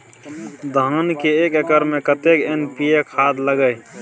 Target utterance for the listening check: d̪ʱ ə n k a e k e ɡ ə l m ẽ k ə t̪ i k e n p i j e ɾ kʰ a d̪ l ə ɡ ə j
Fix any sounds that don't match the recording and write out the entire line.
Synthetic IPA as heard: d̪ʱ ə n k e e k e k ə ɾ m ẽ k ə t̪ e k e n p i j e kʰ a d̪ l ə ɡ ə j